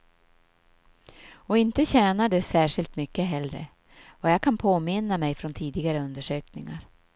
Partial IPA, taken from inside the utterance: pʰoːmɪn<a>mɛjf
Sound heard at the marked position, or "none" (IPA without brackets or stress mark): a